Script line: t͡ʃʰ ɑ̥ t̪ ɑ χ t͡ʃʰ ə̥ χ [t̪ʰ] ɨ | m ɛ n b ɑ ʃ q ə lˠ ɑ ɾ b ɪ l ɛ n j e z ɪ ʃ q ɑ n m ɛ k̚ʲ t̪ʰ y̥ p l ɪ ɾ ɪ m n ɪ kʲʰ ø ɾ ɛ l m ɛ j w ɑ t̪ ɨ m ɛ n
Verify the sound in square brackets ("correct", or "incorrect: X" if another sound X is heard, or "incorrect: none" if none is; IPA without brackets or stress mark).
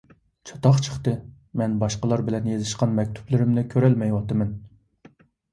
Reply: incorrect: t̪